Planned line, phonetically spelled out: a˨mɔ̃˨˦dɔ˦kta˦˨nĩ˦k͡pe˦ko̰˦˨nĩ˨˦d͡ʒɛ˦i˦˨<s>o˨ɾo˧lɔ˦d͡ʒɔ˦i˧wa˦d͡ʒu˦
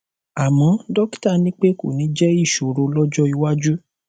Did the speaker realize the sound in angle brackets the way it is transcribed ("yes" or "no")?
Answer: no